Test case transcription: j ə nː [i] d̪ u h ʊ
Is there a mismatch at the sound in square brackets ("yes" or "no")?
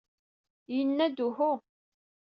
yes